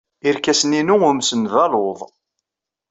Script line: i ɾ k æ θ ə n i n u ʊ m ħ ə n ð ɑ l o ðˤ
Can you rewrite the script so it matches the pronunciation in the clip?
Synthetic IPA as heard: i ɾ k æ s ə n i n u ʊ m s ə n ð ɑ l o ðˤ